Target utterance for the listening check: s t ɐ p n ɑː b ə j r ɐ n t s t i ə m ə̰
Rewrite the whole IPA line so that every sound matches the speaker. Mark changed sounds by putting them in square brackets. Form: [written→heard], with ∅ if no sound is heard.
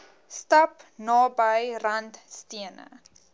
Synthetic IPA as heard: s t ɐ p n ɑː b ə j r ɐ n t s t i ə [m→n] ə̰